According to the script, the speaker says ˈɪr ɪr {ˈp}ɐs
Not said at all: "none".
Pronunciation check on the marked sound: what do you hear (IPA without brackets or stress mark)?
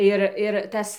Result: t